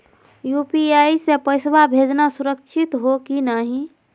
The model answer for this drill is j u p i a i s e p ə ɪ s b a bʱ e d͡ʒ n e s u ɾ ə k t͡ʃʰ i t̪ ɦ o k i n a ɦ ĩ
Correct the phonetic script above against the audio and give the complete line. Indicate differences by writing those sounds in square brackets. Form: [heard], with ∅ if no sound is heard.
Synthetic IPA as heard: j u p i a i s e p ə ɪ s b a bʱ e d͡ʒ n [a] s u ɾ ə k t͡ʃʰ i t̪ ɦ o k i n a ɦ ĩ